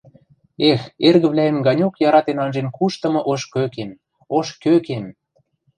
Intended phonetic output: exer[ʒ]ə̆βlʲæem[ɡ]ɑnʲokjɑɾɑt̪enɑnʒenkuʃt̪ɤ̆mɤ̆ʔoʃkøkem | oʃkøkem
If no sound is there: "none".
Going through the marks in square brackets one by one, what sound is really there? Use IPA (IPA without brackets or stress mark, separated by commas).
ɣ, ɡ